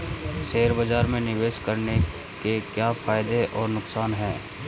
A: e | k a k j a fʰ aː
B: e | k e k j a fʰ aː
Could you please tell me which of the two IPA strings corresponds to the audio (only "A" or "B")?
B